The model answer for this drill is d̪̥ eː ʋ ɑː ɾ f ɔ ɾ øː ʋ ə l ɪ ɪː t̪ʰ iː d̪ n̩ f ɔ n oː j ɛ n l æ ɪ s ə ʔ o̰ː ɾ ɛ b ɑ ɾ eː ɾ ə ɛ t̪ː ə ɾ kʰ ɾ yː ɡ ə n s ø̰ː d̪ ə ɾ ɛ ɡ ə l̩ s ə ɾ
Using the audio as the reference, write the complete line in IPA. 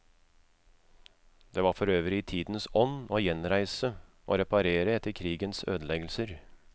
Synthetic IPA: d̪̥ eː ʋ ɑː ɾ f ɔ ɾ øː ʋ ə ɾ ɪ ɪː t̪ʰ iː d̪ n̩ s ɔ n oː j ɛ n ɾ æ ɪ s ə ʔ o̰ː ɾ ɛ p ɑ ɾ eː ɾ ə ɛ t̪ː ə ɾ kʰ ɾ iː ɡ ə n s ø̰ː d̪ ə l ɛ ɡ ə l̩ s ə ɾ